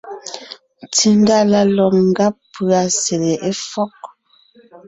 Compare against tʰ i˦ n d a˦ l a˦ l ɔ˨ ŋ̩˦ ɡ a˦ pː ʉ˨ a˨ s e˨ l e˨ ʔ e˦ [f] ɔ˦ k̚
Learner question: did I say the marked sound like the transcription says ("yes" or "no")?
yes